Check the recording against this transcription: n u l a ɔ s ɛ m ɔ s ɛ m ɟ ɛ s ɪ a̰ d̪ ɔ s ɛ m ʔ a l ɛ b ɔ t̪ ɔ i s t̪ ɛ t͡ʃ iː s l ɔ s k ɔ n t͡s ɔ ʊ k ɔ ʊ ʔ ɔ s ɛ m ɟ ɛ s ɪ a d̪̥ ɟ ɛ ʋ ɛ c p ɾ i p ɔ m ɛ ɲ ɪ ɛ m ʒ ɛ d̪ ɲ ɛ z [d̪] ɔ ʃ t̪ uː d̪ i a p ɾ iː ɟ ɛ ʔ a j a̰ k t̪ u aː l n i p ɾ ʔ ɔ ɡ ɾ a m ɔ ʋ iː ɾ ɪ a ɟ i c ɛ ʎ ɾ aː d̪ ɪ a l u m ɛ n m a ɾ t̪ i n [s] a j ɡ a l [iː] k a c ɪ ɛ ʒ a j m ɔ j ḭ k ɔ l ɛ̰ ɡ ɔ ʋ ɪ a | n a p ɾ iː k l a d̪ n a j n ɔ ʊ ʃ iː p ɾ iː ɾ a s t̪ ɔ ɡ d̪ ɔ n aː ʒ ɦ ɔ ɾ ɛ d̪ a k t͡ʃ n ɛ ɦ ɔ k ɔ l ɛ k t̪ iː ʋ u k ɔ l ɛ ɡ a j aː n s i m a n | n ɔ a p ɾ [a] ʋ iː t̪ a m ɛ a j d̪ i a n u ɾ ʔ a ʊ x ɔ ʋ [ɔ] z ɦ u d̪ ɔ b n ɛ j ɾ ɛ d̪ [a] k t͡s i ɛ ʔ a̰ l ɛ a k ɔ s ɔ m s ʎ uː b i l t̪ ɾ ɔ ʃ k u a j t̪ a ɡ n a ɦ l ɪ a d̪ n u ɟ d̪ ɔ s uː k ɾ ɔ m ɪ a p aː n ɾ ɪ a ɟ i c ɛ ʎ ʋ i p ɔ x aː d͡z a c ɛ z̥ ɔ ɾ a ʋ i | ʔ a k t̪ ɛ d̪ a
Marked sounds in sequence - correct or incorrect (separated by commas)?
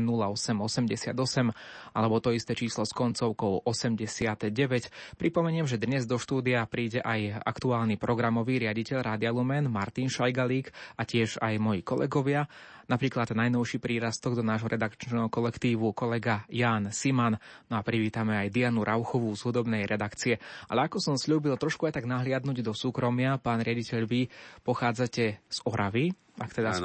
correct, incorrect, correct, incorrect, incorrect, correct